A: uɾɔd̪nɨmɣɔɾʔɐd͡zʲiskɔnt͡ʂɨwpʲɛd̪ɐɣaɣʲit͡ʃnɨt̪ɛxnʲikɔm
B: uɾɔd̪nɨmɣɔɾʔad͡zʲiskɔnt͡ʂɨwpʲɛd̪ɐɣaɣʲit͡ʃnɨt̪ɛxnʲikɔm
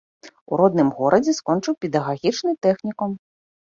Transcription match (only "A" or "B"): A